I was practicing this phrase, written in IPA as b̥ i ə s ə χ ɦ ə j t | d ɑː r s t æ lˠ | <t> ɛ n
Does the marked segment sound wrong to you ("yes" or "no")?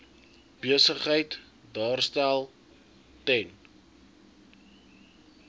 no